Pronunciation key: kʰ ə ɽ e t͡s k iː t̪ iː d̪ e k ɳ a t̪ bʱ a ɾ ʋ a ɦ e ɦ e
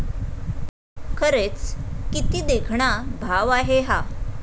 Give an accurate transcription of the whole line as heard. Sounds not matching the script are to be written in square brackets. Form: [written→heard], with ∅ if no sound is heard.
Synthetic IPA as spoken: kʰ ə [ɽ→ɾ] e t͡s k [iː→i] t̪ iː d̪ e [k→kʰ] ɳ a [t̪→∅] bʱ a [ɾ→∅] ʋ a ɦ e ɦ [e→a]

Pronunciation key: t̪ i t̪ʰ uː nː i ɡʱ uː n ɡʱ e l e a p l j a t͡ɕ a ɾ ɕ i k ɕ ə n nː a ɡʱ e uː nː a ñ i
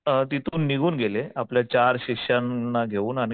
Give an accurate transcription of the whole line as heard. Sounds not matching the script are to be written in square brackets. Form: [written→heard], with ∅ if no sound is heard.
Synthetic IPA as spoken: t̪ i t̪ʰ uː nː i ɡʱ uː n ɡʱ e l e a p l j a t͡ɕ a ɾ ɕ i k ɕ [ə→a] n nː a ɡʱ e uː [nː→n] a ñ i

